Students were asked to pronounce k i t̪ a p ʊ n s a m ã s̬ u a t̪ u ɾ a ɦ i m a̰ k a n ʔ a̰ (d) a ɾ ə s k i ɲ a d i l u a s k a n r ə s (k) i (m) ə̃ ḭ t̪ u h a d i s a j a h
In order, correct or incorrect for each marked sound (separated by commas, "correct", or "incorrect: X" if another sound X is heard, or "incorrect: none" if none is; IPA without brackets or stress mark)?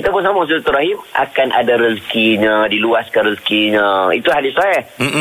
correct, correct, incorrect: ɲ